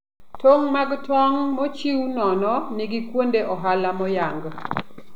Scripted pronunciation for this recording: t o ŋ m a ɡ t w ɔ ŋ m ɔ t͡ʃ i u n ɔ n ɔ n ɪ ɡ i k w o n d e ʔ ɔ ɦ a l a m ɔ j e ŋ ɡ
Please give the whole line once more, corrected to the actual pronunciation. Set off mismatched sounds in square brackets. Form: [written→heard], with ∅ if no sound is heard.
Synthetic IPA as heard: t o ŋ m a ɡ t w ɔ ŋ m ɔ t͡ʃ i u n ɔ n ɔ n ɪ ɡ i k w o n d e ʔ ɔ ɦ a l a m ɔ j [e→a] ŋ ɡ